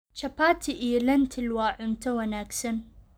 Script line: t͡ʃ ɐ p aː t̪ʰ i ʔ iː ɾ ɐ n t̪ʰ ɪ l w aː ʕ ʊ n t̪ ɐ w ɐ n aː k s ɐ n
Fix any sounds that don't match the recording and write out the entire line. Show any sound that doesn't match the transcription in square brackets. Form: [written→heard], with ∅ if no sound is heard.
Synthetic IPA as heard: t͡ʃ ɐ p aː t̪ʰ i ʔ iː [ɾ→l] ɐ n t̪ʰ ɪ l w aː ʕ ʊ n t̪ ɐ w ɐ n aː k s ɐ n